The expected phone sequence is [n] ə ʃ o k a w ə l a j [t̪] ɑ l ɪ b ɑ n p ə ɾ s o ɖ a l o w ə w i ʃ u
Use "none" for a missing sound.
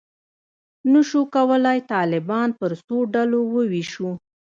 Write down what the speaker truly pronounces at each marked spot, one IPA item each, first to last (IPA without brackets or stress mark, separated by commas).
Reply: n, t̪